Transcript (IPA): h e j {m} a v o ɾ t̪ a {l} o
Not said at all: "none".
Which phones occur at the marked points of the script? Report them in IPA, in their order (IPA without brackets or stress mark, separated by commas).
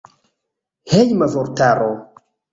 m, ɾ